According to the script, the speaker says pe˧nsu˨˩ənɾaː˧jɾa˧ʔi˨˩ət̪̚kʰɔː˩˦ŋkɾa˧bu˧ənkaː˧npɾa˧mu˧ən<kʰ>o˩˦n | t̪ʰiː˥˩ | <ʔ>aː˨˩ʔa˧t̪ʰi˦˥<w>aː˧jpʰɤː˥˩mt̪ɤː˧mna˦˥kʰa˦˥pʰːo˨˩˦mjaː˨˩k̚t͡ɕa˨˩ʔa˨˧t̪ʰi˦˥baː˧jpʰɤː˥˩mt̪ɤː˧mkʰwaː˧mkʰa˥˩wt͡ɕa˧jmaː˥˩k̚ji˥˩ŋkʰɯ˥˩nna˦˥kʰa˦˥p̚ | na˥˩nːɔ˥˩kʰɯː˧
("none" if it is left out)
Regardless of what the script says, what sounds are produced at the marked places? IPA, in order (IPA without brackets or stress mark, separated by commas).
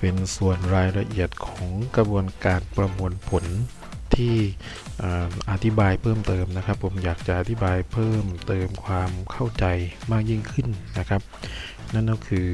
pʰ, ʔ, b